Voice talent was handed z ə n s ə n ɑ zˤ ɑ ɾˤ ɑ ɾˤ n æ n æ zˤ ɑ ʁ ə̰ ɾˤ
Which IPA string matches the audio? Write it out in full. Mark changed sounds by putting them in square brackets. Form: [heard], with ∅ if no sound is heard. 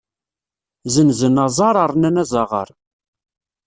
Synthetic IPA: z ə n [z] ə n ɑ zˤ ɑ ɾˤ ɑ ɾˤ n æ n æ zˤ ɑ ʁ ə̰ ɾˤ